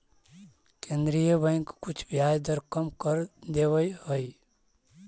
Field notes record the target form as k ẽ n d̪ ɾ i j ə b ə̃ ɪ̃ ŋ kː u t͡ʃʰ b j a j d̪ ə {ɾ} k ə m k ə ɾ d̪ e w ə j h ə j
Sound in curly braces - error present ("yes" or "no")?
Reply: no